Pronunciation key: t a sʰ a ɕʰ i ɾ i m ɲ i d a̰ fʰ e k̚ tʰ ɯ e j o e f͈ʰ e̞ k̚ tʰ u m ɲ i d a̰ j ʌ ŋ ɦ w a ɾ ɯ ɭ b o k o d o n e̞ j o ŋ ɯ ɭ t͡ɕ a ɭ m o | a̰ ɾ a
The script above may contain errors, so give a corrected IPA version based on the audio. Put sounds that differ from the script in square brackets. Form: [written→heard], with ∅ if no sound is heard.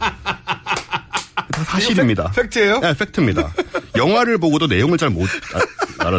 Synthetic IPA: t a sʰ a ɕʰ i ɾ i m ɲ i d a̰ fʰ e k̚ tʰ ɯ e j o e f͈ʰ e̞ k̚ tʰ [u→ɯ] m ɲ i d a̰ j ʌ ŋ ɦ w a ɾ ɯ ɭ b o [k→ɡ] o d o n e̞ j o ŋ ɯ ɭ t͡ɕ a ɭ m o | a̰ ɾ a